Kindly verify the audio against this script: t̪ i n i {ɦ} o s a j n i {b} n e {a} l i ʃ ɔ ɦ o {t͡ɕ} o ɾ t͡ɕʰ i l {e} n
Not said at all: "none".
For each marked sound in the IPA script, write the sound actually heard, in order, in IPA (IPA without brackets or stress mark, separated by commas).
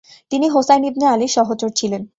ɦ, b, a, t͡ɕ, e